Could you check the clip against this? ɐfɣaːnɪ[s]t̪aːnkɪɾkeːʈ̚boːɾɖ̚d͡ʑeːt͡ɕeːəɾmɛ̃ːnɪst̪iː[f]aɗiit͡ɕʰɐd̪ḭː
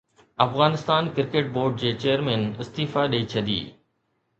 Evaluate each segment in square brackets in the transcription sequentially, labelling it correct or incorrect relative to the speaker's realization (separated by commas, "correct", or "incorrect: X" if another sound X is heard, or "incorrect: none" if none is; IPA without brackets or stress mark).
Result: correct, correct